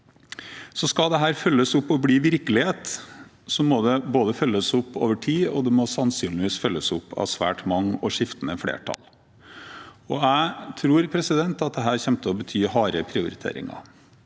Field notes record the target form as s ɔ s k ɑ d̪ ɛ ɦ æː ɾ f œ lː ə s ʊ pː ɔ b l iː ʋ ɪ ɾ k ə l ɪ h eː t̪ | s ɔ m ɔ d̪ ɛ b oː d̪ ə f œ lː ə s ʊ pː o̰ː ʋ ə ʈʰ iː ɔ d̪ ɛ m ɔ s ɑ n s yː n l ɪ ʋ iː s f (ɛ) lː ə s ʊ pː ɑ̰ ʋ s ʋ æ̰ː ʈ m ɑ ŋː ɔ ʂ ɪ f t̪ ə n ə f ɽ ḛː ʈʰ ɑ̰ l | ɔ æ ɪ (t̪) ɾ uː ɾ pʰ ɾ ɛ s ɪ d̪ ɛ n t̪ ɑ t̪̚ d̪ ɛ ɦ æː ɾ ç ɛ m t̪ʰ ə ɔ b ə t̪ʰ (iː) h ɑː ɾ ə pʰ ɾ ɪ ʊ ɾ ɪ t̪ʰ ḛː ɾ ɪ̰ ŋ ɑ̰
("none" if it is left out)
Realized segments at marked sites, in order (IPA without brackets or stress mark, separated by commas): œ, t̪ʰ, yː